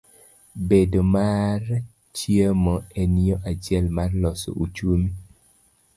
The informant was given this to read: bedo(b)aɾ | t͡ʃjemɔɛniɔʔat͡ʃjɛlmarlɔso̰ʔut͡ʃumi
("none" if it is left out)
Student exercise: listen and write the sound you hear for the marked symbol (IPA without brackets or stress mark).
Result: m